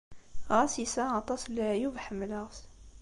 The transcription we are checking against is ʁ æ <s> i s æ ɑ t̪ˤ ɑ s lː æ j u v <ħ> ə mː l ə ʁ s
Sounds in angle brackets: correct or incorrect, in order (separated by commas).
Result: correct, correct